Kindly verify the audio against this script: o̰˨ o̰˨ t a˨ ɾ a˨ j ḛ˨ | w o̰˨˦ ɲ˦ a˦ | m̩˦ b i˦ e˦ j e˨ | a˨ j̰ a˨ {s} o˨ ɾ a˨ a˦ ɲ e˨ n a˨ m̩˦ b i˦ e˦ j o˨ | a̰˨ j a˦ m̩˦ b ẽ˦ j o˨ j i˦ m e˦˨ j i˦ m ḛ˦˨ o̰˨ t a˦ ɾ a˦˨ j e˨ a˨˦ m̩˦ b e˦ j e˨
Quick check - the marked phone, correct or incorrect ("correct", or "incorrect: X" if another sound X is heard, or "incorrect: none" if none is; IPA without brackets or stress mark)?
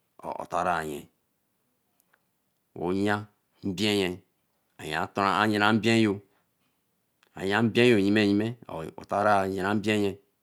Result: incorrect: t